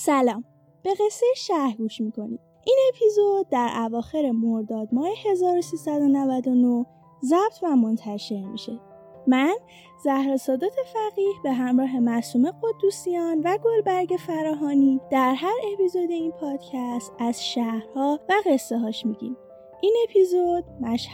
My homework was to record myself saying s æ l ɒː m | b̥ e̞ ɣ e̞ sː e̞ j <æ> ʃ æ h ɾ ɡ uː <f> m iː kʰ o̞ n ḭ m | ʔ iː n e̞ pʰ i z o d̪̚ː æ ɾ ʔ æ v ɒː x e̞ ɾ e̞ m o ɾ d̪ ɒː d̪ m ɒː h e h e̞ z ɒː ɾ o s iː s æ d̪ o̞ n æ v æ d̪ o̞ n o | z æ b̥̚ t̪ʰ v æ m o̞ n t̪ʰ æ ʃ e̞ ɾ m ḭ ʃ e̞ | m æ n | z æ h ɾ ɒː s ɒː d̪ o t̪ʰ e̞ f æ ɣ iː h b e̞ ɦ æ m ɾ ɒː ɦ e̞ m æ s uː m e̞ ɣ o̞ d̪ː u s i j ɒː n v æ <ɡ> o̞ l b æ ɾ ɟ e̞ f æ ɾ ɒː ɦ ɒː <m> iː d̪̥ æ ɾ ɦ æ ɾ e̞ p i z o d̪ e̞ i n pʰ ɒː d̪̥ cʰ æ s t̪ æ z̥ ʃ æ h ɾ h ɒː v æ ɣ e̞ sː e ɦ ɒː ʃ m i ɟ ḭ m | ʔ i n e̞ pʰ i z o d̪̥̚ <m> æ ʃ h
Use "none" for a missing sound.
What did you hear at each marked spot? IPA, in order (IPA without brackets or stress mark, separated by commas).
e, ʃ, ɡ, n, m